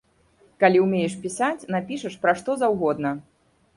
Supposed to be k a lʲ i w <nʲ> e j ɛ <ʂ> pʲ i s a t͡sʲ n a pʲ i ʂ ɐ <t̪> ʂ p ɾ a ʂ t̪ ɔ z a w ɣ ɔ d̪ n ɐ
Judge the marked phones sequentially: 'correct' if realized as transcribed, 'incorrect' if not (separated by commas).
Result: incorrect, correct, incorrect